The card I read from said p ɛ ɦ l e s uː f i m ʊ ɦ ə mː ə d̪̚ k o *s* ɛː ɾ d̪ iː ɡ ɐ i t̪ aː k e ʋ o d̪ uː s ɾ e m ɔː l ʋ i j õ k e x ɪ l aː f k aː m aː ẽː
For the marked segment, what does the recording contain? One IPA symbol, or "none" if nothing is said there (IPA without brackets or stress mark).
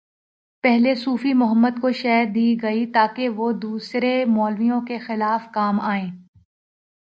ʃ